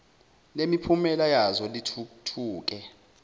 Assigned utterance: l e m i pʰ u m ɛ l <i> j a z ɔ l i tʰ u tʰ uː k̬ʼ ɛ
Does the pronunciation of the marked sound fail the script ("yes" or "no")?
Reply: yes